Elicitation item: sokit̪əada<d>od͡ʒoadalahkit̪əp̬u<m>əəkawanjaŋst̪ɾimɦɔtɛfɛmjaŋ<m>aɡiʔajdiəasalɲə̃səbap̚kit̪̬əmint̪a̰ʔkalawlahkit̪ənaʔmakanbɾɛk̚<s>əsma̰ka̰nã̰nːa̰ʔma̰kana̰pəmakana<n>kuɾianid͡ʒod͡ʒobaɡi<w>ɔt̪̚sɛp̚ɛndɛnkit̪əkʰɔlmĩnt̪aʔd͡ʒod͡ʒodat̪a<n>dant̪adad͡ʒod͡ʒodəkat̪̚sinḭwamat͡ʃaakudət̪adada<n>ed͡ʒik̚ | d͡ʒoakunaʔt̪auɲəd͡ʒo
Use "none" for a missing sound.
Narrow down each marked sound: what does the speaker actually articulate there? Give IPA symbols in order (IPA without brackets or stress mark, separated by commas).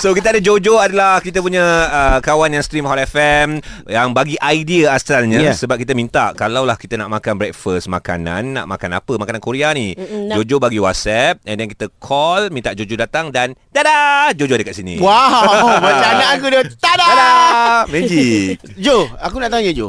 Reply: d͡ʒ, ɲ, b, f, n, w, ŋ, m